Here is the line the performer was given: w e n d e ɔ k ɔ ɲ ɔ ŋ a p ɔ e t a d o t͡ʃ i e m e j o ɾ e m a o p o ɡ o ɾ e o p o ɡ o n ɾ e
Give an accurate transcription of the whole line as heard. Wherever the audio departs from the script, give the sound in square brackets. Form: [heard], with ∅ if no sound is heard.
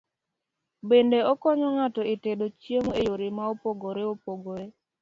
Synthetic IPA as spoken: [b] e n d e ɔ k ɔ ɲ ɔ ŋ a [t] ɔ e t [e] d o t͡ʃ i e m e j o ɾ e m a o p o ɡ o ɾ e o p o ɡ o [∅] ɾ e